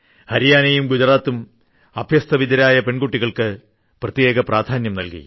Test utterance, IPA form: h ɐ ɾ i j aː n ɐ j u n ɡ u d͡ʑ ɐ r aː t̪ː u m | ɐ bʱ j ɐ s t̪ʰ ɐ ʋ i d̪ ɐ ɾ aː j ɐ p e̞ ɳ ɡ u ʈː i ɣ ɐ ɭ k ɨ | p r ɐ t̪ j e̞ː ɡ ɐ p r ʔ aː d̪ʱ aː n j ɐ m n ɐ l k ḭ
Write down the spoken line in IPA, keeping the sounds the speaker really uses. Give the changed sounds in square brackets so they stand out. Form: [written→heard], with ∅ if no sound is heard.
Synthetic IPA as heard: h ɐ ɾ i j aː n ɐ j u [n→m] ɡ u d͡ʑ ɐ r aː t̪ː u m | ɐ bʱ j ɐ s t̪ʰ ɐ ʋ i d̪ ɐ ɾ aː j ɐ p e̞ ɳ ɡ u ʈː i ɣ ɐ ɭ k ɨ | p r ɐ t̪ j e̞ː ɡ ɐ p r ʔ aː d̪ʱ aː n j ɐ m n ɐ l k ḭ